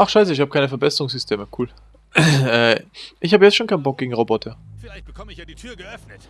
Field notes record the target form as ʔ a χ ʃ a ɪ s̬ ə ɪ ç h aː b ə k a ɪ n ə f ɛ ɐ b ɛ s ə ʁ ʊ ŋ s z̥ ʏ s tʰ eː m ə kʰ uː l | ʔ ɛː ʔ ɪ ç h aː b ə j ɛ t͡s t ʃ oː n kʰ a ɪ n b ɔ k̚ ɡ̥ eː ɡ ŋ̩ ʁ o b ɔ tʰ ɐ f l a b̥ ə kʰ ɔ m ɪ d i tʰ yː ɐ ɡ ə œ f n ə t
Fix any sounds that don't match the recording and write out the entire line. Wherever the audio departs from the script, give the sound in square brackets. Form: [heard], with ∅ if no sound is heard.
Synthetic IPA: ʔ a χ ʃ a ɪ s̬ ə ɪ ç h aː b ə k a ɪ n ə f ɛ ɐ b ɛ s ə ʁ ʊ ŋ s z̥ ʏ s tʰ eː m ə kʰ uː l | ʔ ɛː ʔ ɪ ç h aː b ə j ɛ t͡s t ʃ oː n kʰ a ɪ n b ɔ k̚ ɡ̥ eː ɡ ŋ̩ ʁ o b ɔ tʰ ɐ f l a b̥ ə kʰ ɔ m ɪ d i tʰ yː ɐ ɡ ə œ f n ə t